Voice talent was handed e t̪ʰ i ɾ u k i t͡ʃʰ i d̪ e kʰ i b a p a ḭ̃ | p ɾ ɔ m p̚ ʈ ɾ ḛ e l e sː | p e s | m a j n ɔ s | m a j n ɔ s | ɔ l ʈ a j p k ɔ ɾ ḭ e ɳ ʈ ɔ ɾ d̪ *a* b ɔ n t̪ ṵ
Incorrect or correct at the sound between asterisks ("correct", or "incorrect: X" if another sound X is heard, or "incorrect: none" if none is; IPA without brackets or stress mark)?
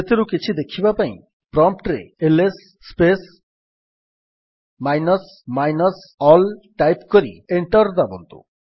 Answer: correct